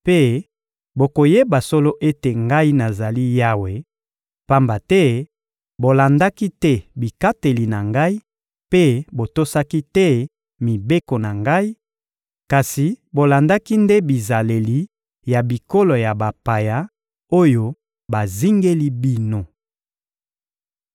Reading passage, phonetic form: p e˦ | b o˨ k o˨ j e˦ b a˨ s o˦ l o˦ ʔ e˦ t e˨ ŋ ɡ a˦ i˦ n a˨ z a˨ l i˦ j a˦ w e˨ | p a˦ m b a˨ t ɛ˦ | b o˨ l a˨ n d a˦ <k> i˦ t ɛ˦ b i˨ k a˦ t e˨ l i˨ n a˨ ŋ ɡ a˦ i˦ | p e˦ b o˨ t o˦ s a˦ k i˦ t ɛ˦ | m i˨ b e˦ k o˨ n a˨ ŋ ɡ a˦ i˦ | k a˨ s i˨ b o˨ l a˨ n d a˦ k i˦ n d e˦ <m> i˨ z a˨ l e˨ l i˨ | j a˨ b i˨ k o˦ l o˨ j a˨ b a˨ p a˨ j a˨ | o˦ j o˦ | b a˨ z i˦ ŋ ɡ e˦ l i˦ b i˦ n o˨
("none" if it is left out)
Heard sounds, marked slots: k, b

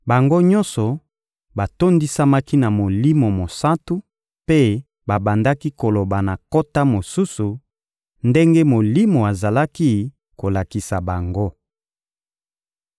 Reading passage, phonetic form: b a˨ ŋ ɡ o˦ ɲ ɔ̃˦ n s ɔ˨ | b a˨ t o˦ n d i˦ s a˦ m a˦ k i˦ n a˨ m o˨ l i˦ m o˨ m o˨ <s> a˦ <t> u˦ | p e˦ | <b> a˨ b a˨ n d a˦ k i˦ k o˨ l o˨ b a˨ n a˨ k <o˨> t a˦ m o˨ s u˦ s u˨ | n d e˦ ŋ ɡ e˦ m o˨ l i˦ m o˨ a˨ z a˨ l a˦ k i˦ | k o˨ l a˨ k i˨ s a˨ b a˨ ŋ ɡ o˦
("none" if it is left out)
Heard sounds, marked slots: s, t, b, o˦

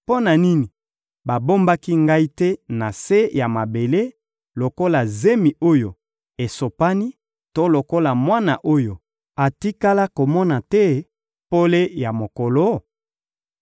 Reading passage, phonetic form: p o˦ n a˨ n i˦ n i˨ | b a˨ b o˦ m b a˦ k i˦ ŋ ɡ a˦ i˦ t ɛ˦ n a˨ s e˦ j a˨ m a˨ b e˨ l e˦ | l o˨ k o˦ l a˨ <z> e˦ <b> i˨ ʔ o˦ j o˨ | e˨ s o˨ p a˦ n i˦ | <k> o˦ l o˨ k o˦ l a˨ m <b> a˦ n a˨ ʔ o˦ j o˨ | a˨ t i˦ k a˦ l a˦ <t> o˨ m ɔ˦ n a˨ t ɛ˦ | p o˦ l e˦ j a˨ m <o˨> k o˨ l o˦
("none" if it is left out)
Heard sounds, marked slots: z, m, t, w, k, o˨

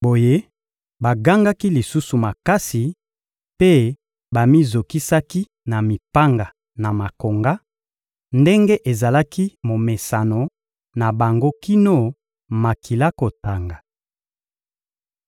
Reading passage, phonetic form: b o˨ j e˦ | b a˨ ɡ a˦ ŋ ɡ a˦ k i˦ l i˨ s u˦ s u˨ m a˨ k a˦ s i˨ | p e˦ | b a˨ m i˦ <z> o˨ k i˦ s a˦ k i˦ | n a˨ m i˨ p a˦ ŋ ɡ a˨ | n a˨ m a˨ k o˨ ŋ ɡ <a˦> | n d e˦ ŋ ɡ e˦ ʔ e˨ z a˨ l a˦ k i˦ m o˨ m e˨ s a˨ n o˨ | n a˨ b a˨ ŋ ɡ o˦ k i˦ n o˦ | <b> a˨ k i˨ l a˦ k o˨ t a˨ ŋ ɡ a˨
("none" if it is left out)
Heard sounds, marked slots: z, a˦, m

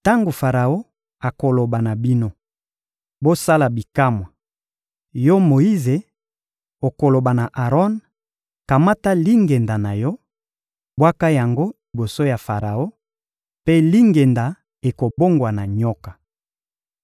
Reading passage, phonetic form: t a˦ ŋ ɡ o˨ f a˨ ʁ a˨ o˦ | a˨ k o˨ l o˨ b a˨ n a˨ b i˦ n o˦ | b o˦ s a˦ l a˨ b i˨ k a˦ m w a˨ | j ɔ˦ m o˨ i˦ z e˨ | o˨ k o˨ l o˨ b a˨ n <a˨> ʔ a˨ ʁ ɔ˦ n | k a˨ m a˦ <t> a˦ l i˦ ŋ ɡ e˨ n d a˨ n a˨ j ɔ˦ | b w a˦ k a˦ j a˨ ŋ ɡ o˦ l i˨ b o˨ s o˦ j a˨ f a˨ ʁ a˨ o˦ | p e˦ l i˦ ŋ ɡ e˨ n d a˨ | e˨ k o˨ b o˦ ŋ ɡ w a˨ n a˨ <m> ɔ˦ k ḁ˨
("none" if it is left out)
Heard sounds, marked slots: a˨, t, ɲ

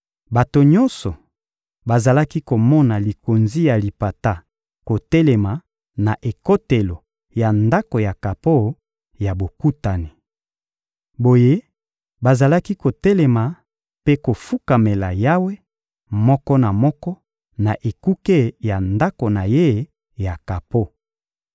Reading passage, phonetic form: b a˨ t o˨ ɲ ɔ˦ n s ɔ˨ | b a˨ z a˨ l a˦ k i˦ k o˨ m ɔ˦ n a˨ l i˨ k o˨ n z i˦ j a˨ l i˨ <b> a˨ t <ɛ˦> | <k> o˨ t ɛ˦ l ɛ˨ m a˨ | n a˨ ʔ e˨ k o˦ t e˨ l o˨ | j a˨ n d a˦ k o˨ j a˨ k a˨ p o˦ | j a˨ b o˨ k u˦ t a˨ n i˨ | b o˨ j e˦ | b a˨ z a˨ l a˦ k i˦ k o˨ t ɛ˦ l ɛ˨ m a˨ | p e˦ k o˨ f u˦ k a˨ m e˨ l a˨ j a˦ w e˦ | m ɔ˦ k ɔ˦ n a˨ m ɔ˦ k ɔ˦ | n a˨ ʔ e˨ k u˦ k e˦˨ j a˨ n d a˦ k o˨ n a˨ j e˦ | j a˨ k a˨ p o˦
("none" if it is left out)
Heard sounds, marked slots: p, a˦, k

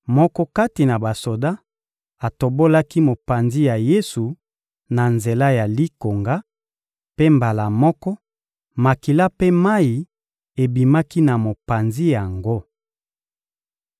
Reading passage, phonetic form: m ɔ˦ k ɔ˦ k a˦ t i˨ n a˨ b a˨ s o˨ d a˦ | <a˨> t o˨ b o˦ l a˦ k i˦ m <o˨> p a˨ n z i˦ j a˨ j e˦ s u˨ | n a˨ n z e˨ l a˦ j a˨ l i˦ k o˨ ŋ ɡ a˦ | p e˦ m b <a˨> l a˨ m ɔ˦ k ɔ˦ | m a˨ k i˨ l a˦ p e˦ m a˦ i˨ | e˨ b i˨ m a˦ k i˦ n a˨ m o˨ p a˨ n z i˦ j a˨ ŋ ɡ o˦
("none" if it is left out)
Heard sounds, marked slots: a˨, o˨, a˨

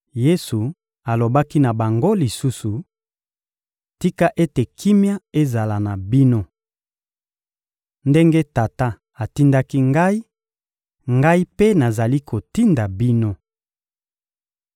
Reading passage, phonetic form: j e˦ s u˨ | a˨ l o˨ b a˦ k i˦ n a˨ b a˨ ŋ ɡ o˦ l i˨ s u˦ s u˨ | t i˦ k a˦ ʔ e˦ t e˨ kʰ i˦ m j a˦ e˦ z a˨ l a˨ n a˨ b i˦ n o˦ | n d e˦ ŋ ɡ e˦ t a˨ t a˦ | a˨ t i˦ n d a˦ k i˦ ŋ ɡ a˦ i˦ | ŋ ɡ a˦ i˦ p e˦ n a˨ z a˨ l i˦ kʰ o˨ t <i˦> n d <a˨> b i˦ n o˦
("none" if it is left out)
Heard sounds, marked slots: i˦, a˨

